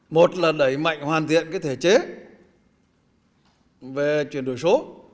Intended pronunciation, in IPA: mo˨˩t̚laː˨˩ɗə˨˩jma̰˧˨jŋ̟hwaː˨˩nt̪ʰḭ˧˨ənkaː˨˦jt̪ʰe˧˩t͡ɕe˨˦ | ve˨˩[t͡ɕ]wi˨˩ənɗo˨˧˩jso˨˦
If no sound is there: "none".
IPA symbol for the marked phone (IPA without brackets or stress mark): t͡ɕ